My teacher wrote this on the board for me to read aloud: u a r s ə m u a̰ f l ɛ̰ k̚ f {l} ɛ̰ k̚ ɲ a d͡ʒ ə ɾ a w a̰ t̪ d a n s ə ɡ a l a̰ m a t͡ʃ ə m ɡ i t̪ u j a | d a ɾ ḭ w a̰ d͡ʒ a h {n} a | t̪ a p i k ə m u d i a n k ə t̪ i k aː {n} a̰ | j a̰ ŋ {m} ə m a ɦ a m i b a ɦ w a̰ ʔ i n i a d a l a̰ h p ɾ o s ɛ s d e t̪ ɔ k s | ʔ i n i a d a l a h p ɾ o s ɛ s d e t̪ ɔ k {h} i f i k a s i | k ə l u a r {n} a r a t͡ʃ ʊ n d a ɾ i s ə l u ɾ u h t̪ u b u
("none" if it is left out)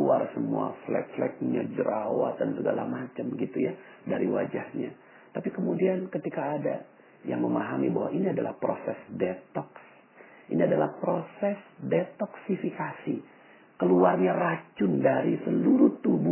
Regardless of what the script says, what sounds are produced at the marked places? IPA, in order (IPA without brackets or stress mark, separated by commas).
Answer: l, ɲ, d, m, s, ɲ